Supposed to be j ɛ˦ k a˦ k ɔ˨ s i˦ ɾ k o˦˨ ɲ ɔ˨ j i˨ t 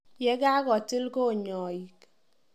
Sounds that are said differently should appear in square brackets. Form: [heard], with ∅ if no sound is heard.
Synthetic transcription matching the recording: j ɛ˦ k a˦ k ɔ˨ [t] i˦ [l] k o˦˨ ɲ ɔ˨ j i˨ [k]